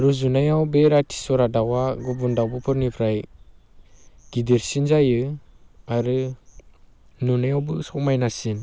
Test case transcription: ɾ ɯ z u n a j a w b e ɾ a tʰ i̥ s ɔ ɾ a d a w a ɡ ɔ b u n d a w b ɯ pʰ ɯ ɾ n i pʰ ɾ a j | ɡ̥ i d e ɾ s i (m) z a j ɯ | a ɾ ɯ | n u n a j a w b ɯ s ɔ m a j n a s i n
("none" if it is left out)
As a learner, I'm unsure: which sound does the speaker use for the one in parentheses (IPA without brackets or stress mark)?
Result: n